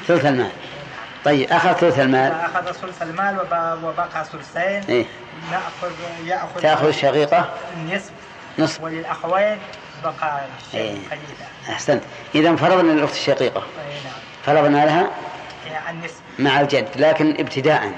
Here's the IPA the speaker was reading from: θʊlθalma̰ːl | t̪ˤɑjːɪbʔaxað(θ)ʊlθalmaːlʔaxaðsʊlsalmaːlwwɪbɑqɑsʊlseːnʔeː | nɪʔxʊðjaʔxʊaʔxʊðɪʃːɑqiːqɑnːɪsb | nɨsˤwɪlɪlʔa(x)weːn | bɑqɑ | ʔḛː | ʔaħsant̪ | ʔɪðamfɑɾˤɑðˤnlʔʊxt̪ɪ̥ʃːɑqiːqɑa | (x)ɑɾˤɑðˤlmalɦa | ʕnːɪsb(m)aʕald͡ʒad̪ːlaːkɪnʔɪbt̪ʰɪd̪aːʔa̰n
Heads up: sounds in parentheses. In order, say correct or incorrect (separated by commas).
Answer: correct, correct, incorrect, correct